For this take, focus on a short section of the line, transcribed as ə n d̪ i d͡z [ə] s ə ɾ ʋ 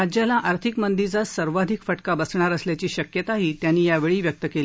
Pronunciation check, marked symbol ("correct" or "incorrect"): incorrect